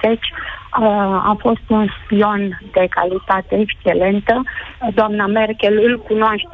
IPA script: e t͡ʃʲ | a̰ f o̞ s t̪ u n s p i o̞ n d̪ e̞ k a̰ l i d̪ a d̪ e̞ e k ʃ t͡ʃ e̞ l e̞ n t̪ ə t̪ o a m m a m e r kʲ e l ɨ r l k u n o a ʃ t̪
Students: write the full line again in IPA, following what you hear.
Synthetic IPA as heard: e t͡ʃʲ | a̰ f o̞ s t̪ u n s p i o̞ n d̪ e̞ k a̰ l i t̪ a t̪ e̞ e k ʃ t͡ʃ e̞ l e̞ n t̪ ə d̪ o a m n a m e r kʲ e l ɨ l k u n o a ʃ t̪